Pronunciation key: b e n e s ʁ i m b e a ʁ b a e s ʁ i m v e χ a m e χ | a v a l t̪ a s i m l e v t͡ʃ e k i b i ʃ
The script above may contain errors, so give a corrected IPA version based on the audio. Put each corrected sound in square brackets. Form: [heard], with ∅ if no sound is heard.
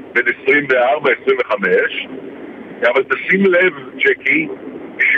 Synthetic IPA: b e n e s ʁ i m [v] e a ʁ b a e s ʁ i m v e χ a m e [ʃ] | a v a l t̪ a s i m l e v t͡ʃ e k i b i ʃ